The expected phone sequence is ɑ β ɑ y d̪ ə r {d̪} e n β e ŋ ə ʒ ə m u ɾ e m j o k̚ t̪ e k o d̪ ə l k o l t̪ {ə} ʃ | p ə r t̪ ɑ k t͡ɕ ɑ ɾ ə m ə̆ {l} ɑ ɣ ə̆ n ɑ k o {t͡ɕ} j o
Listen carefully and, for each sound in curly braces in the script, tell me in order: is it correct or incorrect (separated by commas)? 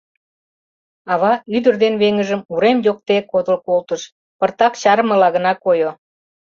correct, correct, correct, incorrect